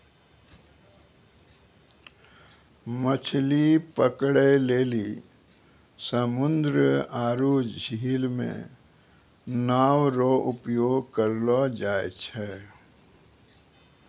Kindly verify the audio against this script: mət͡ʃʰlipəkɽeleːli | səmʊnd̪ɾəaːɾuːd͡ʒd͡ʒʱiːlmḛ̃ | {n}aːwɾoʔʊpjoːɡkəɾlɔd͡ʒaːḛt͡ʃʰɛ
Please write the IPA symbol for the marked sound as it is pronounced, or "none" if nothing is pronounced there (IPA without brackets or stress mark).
n